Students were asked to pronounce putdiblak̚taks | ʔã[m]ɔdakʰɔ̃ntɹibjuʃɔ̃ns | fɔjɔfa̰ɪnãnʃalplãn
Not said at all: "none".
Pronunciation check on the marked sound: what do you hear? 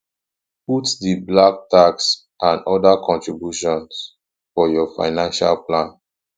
n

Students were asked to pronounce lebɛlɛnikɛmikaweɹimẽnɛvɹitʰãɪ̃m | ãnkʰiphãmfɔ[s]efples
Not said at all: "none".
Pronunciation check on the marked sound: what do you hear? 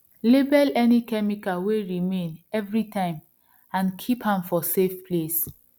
s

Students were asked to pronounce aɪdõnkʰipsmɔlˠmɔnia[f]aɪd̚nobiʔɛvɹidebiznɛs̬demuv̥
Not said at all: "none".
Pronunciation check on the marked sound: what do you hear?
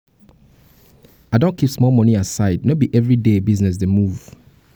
s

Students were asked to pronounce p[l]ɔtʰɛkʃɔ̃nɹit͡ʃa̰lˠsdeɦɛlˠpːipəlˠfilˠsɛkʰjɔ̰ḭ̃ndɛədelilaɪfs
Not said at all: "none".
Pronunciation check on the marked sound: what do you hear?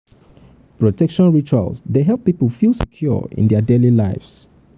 ɹ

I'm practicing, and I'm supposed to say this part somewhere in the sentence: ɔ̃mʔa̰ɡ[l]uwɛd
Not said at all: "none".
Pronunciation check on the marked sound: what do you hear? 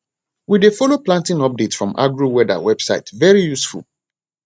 ɹ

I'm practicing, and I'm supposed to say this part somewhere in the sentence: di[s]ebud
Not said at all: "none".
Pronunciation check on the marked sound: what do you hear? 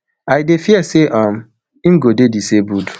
s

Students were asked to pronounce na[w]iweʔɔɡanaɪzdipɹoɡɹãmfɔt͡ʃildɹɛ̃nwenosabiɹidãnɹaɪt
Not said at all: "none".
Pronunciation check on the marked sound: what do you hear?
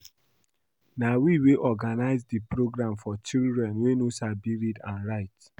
w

